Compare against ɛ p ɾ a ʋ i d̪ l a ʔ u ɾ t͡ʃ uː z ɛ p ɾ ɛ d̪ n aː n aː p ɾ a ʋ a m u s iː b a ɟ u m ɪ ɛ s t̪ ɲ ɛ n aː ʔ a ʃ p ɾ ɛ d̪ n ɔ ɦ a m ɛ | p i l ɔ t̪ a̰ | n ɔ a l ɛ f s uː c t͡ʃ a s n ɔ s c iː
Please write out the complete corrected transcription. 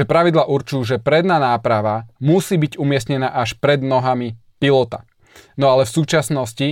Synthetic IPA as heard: ɛ p ɾ a ʋ i d̪ l a ʔ u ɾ t͡ʃ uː ʒ ɛ p ɾ ɛ d̪ n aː n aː p ɾ a ʋ a m u s iː b i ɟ u m ɪ ɛ s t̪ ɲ ɛ n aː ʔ a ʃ p ɾ ɛ d̪ n ɔ ɦ a m i | p i l ɔ t̪ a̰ | n ɔ a l ɛ f s uː t͡ʃ a s n ɔ s c i